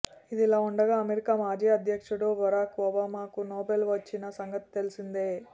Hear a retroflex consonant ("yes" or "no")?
yes